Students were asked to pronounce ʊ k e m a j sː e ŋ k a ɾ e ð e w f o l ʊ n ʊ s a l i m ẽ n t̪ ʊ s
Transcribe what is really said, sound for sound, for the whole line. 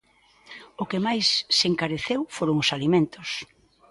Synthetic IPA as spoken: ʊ k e m a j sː e ŋ k a ɾ e θ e w f o ɾ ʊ ŋ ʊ s a l i m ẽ n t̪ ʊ s